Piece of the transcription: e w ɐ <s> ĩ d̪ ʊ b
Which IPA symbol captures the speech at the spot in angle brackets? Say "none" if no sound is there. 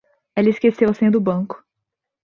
s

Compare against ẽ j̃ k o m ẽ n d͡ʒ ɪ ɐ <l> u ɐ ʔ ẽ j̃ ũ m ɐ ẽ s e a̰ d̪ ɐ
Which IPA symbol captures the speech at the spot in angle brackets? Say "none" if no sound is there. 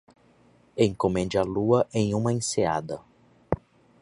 l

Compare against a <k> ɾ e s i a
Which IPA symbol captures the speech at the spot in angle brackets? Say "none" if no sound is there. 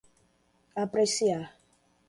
p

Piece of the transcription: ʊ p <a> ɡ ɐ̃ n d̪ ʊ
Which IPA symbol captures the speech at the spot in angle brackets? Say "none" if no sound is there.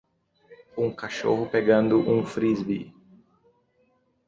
e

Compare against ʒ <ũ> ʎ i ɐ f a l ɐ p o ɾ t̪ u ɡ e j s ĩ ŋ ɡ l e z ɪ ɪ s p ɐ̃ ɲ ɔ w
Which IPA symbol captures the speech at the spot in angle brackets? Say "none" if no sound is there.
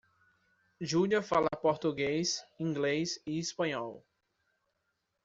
u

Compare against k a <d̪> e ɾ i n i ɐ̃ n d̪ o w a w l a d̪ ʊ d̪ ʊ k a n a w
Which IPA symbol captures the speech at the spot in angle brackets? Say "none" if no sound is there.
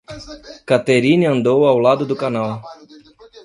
t̪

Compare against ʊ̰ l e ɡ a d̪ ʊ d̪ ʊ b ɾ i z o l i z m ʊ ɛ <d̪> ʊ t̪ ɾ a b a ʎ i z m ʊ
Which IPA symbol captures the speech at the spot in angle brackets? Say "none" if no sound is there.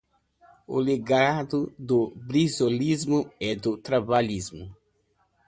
d̪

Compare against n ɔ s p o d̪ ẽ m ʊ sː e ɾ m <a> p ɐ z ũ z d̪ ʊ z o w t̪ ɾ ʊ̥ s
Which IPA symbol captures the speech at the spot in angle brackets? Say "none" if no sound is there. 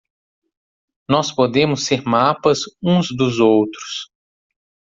a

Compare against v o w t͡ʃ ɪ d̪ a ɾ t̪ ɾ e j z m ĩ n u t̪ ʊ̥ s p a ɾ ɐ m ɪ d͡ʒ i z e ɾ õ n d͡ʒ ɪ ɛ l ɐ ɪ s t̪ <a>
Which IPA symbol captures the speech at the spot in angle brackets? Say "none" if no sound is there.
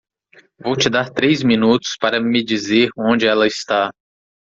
a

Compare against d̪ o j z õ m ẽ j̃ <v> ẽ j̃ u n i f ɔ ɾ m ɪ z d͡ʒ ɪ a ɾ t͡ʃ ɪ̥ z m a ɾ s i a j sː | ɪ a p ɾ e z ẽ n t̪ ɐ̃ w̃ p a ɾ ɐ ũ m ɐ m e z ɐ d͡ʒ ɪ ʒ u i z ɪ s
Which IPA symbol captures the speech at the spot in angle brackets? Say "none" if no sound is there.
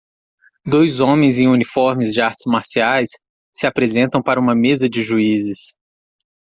z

